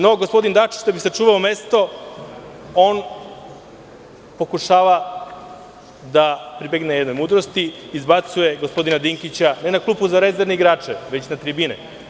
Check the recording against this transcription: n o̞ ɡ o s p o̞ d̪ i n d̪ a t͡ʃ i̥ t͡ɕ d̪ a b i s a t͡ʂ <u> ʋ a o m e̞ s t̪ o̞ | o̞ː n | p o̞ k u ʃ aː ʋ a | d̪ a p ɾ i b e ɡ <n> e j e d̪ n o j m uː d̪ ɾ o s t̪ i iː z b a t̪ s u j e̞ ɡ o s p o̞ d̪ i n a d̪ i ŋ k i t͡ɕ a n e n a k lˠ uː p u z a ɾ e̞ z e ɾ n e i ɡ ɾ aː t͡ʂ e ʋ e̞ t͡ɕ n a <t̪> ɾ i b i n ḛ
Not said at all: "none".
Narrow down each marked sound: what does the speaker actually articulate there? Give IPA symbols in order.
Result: uː, n, t̪

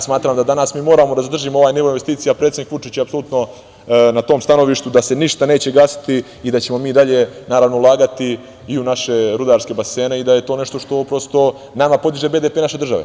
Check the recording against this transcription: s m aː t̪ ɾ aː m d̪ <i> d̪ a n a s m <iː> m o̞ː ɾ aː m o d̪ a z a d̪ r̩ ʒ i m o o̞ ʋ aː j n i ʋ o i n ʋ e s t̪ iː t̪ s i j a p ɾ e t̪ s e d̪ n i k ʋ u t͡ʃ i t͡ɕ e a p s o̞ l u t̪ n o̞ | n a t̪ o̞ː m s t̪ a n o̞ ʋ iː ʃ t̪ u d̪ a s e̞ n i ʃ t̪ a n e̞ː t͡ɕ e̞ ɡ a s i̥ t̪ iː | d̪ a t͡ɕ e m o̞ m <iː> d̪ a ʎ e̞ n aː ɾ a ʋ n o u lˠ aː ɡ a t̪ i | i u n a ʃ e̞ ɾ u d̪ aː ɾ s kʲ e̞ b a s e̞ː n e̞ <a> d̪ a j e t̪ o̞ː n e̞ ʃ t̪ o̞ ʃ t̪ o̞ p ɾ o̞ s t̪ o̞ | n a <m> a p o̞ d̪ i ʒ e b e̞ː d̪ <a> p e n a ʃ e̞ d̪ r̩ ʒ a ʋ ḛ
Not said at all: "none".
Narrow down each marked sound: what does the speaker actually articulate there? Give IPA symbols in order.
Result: a, iː, iː, i, m, e

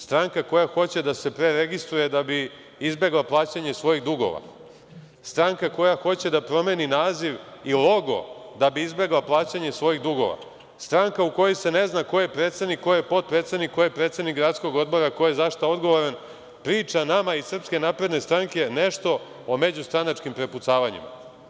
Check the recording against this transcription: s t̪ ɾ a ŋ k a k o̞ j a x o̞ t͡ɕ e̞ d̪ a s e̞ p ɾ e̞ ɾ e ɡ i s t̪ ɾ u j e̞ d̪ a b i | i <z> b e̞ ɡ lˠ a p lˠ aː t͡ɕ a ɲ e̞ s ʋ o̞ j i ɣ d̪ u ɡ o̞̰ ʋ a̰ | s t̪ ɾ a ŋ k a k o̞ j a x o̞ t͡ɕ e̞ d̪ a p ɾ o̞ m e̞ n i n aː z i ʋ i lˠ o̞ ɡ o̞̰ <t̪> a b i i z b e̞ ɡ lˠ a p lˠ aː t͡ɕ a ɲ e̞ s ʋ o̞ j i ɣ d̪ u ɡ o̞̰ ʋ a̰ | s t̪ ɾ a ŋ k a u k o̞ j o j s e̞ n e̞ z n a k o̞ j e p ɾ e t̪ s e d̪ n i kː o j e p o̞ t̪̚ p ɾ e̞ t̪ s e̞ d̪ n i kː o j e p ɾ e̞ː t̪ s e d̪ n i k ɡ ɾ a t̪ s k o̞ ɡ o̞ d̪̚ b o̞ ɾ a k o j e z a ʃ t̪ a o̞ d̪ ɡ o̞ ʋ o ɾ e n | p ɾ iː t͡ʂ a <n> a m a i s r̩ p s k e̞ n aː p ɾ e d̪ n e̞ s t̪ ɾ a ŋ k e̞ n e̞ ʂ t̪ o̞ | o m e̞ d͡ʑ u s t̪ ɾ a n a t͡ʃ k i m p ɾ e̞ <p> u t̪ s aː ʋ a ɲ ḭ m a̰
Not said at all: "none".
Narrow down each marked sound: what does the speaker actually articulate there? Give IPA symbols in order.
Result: z, d̪, n, p

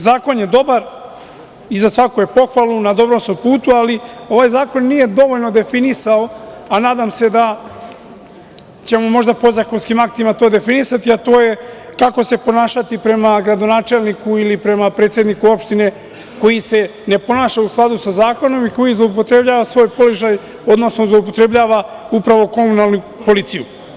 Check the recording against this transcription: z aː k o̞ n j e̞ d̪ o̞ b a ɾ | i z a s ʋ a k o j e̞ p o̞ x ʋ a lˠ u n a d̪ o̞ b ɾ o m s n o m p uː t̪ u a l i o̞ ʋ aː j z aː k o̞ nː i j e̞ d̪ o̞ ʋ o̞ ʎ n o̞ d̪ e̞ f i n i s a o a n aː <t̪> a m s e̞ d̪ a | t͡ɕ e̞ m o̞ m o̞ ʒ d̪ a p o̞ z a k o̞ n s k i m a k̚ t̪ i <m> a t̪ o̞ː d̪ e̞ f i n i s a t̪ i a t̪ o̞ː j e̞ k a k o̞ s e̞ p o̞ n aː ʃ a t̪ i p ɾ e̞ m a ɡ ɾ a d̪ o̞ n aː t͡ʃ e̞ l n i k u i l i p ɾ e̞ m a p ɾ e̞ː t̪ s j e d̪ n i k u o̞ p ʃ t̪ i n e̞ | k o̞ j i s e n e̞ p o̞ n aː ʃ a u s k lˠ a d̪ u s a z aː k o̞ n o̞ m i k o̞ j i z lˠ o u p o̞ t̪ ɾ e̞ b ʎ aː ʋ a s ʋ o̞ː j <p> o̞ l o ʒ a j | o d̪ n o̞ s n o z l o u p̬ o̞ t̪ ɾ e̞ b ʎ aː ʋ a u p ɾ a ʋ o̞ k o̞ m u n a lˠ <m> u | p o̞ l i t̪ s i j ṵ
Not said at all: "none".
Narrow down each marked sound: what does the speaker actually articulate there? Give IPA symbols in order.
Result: d̪, m, p, n

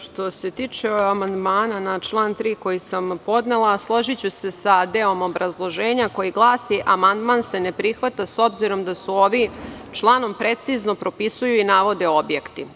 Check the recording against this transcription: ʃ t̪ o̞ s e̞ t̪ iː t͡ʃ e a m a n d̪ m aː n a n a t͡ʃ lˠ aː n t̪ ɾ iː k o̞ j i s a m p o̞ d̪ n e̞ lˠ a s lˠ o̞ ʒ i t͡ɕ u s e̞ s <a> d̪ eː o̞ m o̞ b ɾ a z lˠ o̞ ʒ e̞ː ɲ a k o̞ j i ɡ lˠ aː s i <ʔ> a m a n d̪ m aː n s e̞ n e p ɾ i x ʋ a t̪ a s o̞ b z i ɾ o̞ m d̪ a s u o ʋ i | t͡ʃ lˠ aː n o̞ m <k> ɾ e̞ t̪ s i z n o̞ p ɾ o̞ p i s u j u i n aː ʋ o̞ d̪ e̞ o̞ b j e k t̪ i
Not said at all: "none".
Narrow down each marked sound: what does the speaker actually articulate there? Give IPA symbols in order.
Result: a, ʔ, p

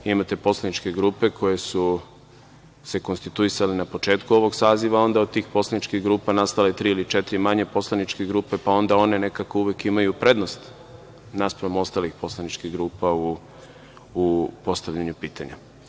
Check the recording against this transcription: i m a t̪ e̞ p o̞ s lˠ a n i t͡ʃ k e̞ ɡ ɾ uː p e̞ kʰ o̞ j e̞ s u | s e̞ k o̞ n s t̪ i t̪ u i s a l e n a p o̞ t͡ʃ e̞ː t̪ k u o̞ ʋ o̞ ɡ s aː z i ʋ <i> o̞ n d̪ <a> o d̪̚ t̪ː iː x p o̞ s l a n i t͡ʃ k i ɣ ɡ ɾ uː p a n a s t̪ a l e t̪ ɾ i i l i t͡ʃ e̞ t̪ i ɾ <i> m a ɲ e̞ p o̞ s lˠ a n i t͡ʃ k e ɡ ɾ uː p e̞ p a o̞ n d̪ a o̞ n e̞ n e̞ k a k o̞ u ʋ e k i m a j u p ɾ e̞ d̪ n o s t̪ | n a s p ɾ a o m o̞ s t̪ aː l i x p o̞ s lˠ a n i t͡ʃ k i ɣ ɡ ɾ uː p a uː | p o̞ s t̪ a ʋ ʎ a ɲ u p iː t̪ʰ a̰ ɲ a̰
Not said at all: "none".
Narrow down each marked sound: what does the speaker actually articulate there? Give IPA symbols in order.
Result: a, a, i

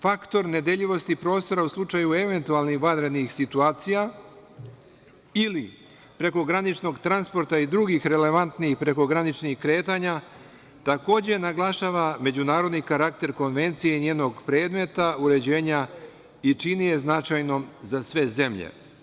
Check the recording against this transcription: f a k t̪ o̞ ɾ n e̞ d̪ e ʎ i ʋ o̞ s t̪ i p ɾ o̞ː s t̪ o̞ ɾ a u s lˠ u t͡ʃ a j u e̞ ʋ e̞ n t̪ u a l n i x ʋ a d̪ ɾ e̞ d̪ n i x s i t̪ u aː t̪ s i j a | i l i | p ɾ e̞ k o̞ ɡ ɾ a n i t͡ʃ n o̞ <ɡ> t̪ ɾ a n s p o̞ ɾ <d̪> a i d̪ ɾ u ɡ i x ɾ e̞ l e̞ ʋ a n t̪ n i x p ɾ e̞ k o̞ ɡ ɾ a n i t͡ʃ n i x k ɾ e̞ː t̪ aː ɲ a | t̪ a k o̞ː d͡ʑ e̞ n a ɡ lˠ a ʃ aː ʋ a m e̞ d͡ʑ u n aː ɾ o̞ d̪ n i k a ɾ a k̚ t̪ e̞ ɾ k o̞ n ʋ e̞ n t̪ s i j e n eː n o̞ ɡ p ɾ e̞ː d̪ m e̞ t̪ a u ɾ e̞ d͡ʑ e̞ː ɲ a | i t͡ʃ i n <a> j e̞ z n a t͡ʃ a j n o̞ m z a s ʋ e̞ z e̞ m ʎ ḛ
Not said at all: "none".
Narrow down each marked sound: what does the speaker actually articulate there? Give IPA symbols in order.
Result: ɡ, t̪, i

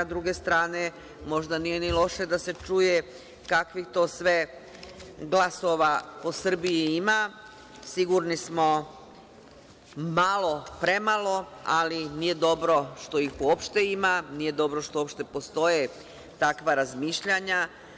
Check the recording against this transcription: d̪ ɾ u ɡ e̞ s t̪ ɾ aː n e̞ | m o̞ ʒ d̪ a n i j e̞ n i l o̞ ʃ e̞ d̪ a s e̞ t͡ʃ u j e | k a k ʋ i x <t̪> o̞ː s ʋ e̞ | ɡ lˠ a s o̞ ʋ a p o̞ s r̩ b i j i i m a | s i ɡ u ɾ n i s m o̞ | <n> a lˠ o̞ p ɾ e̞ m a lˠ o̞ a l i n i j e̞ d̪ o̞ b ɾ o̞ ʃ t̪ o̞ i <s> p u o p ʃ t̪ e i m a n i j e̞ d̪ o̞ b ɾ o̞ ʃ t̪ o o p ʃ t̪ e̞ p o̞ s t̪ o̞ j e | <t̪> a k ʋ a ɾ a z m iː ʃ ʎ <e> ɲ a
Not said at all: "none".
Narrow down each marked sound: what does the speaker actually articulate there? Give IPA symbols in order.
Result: t̪, m, x, t̪, a

